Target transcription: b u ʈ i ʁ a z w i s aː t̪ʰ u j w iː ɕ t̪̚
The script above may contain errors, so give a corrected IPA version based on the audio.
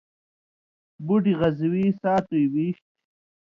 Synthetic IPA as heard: b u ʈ i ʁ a z w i s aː t̪ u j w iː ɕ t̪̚